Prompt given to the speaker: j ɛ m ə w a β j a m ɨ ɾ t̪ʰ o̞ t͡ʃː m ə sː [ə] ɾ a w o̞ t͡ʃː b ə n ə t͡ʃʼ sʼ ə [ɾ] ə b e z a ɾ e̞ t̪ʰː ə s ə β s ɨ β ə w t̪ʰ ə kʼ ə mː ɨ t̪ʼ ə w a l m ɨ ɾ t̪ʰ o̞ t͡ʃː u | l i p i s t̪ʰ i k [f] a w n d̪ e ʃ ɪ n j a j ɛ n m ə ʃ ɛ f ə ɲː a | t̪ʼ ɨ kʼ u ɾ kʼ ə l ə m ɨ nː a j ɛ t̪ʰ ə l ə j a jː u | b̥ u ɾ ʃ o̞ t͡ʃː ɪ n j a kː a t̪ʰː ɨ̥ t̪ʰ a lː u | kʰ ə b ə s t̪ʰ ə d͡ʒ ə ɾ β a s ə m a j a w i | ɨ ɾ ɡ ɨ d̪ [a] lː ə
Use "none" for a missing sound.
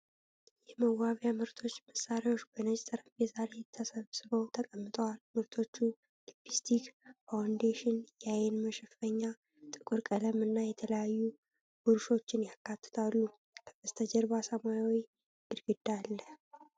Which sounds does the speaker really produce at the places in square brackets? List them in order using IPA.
a, ɾ, f, a

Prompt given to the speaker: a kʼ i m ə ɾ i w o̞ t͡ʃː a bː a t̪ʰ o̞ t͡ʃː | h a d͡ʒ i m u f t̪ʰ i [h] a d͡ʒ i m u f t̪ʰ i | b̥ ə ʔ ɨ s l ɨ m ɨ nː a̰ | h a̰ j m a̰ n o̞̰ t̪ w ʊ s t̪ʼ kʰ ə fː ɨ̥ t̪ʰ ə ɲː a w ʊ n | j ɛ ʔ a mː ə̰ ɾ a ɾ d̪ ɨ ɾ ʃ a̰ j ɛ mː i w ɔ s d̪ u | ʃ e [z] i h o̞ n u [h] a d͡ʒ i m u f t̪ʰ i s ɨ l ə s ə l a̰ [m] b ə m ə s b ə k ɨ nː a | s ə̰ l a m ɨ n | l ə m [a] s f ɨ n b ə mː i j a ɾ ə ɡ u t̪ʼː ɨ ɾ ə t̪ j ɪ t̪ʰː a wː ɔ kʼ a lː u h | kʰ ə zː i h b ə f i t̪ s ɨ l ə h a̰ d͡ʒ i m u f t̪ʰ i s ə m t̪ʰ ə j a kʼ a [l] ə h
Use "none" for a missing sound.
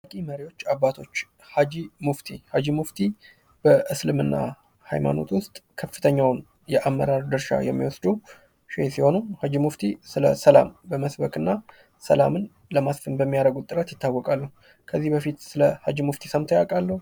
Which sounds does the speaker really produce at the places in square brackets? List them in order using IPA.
h, s, h, m, a, lː

